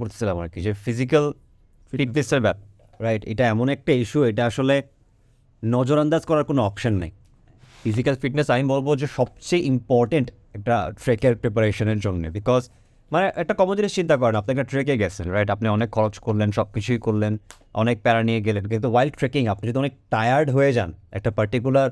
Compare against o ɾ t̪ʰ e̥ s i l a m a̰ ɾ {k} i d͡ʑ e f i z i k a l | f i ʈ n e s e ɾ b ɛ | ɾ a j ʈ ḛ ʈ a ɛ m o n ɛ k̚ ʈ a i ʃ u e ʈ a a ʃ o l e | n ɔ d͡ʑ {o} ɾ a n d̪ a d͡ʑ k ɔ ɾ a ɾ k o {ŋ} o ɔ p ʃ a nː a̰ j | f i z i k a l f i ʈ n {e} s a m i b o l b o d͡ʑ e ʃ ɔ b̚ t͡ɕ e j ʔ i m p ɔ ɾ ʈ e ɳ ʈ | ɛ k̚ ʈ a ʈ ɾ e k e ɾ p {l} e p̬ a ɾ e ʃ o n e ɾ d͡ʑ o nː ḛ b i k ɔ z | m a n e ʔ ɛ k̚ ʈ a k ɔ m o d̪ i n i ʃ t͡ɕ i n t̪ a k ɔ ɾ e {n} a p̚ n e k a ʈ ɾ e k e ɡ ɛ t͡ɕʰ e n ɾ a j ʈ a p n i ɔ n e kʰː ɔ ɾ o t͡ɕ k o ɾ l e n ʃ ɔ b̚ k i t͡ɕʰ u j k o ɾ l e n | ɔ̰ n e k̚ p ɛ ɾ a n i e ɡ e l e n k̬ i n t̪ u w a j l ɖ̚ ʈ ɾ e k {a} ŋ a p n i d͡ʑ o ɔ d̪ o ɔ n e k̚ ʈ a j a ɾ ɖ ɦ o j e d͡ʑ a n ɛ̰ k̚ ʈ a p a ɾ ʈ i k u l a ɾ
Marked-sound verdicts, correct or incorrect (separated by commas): correct, correct, incorrect, correct, incorrect, correct, incorrect